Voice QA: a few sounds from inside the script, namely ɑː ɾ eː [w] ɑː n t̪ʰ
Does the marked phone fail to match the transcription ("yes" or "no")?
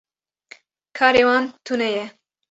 no